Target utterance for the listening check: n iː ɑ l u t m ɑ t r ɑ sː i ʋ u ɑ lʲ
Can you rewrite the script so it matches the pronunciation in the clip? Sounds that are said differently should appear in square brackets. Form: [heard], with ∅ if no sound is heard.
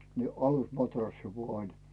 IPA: n [i] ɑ l u [s] m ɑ t r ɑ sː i ʋ u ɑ lʲ